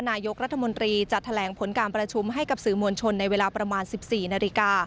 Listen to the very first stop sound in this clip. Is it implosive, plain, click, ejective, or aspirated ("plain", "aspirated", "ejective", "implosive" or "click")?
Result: plain